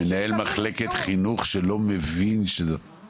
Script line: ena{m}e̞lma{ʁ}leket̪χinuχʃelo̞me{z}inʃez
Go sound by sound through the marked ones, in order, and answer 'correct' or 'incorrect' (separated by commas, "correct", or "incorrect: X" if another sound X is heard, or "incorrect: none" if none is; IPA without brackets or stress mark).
incorrect: none, incorrect: χ, incorrect: v